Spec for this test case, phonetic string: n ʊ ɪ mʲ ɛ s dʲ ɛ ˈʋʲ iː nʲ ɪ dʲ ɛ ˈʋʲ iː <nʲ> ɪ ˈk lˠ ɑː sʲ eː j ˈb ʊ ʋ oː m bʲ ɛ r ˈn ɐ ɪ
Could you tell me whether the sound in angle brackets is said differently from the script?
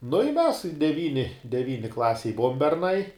no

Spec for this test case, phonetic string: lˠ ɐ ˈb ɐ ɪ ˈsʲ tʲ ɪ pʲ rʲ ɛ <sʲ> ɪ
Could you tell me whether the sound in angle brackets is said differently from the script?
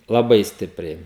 yes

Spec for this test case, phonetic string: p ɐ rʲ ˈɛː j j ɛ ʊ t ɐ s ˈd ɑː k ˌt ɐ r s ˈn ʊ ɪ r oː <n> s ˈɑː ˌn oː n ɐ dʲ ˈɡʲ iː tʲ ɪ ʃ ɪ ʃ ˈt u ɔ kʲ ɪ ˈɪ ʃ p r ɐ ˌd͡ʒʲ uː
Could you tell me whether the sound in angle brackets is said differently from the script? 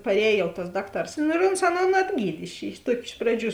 no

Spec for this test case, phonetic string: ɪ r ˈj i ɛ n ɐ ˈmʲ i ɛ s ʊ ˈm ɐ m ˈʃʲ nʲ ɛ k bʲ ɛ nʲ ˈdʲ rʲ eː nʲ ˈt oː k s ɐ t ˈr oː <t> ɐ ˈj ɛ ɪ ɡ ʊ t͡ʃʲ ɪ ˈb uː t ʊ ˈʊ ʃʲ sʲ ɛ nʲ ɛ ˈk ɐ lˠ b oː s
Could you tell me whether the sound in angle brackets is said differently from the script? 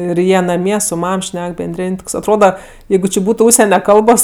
yes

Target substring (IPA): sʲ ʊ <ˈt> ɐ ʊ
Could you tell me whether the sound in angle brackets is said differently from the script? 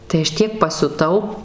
no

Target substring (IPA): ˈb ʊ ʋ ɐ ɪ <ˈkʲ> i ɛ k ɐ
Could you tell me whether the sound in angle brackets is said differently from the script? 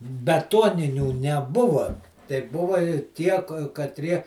yes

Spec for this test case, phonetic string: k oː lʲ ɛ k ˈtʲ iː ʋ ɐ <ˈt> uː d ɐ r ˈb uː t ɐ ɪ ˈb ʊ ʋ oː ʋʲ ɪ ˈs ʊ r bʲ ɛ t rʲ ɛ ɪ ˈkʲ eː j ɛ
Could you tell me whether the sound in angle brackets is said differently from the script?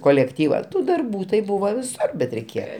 no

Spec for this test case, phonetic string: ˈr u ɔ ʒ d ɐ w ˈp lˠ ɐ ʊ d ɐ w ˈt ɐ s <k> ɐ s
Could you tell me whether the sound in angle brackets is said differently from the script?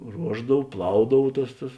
yes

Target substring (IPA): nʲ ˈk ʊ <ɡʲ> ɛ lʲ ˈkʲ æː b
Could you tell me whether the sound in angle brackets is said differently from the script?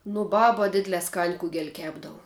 no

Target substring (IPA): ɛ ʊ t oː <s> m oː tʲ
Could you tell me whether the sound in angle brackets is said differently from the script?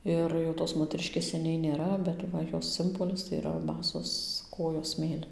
no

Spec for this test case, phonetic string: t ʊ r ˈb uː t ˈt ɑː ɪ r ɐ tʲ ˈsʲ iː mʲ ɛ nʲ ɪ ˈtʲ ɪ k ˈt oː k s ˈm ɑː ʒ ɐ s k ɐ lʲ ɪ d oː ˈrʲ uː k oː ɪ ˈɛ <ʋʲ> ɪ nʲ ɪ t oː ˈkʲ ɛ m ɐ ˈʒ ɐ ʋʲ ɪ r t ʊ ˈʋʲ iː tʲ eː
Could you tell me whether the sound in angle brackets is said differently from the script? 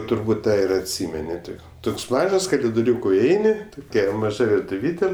yes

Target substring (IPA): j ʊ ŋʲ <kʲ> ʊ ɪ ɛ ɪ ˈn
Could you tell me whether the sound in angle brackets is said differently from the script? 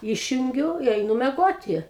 yes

